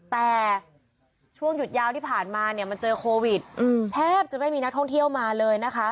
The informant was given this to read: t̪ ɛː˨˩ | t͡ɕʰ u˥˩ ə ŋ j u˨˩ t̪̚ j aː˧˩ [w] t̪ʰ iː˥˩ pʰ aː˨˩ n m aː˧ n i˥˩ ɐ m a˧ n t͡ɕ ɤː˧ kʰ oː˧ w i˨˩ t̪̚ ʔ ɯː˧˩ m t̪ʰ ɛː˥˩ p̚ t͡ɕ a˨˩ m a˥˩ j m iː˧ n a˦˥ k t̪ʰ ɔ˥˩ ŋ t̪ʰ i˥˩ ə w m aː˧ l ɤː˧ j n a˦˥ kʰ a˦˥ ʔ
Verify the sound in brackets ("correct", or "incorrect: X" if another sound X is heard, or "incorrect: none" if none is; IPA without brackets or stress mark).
correct